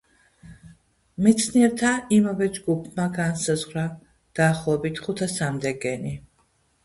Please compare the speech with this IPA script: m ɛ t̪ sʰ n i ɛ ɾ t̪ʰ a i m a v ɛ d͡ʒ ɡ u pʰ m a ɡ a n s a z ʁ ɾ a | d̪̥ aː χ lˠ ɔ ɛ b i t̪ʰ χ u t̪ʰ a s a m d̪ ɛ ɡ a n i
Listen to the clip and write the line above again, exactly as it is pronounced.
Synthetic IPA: m ɛ t̪ sʰ n i ɛ ɾ t̪ʰ a i m a v ɛ d͡ʒ ɡ u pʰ m a ɡ a n s a z ʁ ɾ a | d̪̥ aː χ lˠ ɔ ɛ b i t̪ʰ χ u t̪ʰ a s a m d̪ ɛ ɡ ɛ n i